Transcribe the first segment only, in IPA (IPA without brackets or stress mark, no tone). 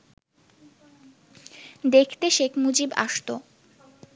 d̪